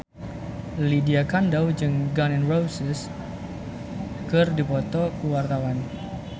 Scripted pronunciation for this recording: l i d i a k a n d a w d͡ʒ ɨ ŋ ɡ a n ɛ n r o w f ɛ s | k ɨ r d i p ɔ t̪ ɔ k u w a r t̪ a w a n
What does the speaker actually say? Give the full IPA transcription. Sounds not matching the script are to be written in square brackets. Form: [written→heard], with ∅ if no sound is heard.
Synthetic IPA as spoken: l i d i a k a n d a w d͡ʒ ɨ ŋ ɡ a n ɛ n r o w [f→s] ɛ s | k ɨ r d i p ɔ t̪ ɔ k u w a r t̪ a w a n